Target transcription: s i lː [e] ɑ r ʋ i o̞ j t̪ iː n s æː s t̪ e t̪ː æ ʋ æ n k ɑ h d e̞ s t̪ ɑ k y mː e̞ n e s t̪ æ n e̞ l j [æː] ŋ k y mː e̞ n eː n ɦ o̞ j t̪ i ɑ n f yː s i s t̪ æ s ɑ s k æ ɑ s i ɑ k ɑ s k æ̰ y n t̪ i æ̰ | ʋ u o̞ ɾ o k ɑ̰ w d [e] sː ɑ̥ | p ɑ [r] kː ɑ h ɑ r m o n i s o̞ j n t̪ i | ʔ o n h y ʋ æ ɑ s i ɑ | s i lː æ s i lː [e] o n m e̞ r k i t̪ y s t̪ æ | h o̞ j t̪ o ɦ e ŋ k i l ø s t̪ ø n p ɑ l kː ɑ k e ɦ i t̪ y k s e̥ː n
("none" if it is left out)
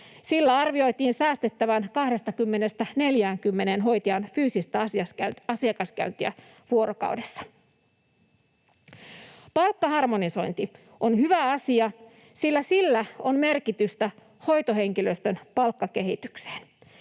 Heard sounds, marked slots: æ, æː, e, l, æ

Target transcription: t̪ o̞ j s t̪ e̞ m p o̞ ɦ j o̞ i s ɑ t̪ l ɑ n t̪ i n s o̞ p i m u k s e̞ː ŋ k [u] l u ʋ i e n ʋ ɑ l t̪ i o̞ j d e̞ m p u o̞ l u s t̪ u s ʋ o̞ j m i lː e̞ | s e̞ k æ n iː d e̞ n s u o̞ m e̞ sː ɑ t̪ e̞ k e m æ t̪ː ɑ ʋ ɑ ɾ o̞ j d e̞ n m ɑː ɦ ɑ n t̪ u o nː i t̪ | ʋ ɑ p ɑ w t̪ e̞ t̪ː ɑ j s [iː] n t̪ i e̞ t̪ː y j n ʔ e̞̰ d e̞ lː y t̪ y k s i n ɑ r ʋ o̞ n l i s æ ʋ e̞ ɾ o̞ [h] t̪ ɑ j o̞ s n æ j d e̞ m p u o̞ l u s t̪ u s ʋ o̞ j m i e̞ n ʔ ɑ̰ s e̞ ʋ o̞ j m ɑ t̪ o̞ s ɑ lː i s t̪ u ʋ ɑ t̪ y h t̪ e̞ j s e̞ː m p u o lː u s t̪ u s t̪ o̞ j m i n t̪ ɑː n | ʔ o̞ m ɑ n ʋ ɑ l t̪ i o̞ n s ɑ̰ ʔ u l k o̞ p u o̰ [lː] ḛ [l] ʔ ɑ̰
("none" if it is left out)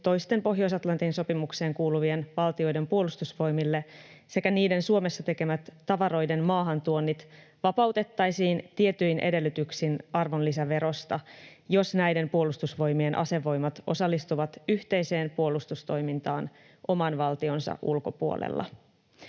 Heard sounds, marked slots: uː, iː, s, l, lː

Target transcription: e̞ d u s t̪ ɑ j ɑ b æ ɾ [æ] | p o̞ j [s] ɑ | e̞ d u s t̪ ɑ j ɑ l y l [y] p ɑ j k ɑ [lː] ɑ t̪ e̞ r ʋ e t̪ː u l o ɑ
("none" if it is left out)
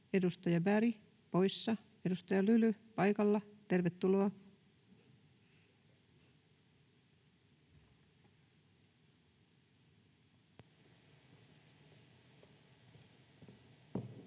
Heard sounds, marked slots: i, sː, y, lː

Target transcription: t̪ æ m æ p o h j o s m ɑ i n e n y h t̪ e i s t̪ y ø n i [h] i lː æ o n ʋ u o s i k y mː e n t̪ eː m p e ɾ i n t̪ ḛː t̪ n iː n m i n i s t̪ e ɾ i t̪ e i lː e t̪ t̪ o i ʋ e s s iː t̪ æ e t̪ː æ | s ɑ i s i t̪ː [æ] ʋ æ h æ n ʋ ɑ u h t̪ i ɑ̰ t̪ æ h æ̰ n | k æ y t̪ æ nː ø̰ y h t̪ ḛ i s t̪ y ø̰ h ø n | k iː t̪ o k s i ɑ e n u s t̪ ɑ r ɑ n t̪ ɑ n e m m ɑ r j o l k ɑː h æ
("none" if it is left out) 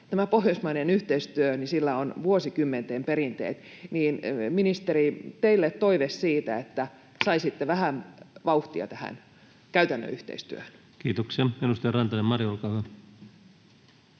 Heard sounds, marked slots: s, e

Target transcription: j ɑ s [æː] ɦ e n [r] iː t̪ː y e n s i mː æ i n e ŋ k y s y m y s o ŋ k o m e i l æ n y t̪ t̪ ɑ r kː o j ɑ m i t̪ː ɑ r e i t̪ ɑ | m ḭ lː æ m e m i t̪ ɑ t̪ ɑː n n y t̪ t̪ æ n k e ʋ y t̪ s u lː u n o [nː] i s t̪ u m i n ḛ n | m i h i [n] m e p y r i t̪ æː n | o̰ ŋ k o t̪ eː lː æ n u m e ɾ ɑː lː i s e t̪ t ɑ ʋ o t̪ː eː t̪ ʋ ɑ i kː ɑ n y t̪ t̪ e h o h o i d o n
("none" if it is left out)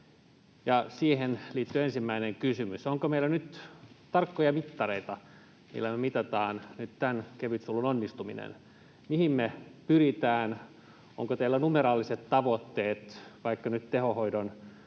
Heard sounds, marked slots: iː, l, nː, m

